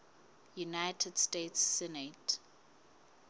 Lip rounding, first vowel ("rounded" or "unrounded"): rounded